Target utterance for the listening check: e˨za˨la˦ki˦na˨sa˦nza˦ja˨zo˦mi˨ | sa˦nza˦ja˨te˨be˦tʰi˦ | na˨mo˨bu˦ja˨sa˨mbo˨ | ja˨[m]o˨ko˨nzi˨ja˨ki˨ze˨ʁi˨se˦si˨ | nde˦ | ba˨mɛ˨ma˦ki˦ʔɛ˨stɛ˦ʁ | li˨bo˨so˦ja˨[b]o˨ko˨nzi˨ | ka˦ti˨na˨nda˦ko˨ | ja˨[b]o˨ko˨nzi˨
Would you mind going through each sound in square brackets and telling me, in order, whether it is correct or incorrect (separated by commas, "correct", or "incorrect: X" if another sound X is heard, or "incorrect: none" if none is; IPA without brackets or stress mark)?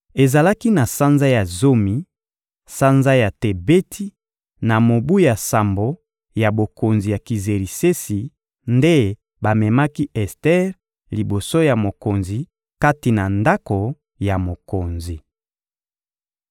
incorrect: b, incorrect: m, incorrect: m